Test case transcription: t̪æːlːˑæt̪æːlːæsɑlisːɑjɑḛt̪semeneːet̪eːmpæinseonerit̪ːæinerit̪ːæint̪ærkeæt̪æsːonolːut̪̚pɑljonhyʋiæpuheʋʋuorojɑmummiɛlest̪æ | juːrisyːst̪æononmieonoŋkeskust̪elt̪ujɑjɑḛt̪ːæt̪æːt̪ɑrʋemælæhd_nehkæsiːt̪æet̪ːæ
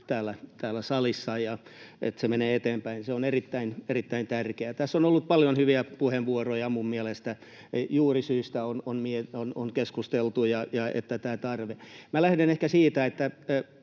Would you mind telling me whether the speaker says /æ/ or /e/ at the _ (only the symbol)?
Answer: e